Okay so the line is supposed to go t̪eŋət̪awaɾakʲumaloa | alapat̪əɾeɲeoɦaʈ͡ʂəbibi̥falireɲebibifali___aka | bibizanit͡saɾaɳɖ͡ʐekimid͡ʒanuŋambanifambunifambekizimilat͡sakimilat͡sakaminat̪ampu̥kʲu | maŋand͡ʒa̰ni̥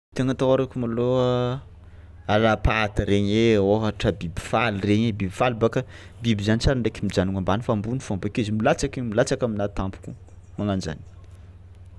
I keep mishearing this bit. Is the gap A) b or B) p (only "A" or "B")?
A